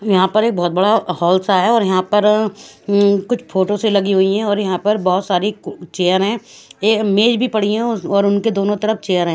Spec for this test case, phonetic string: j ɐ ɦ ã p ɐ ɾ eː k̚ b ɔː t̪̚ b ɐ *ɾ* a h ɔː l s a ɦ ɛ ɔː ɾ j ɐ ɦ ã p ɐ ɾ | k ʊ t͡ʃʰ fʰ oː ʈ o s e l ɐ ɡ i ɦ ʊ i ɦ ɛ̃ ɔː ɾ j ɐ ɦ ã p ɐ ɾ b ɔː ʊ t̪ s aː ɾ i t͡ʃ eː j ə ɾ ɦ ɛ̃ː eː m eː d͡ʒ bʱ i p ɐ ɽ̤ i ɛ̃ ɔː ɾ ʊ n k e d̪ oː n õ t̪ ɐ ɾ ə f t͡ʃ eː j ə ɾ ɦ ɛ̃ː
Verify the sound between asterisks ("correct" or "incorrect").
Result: incorrect